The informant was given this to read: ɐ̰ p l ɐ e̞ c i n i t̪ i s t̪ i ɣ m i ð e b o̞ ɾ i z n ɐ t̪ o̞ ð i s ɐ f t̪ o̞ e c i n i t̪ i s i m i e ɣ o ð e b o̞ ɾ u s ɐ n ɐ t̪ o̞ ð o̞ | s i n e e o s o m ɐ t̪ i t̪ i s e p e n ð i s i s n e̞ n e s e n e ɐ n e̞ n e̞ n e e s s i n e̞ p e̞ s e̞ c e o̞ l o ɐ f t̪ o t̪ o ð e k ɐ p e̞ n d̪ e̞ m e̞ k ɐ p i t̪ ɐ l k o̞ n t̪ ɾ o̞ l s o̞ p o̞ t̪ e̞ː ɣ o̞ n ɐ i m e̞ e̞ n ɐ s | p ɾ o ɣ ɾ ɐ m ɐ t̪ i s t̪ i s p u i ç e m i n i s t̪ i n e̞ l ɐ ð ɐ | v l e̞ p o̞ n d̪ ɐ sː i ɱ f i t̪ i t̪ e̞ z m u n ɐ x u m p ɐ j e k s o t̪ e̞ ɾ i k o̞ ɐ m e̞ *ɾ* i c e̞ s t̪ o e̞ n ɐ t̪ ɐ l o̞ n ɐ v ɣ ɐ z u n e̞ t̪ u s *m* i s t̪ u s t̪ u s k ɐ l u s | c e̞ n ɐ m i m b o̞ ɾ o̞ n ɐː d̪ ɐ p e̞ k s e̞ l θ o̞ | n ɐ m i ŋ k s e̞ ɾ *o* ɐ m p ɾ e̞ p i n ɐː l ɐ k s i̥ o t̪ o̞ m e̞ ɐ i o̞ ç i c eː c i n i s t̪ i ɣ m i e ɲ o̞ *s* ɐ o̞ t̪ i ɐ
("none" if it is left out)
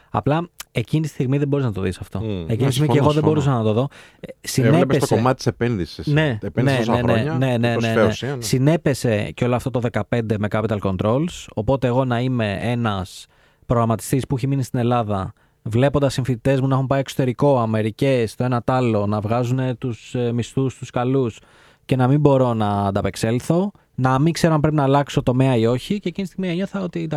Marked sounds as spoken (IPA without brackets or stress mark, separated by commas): ɾ, m, o, θ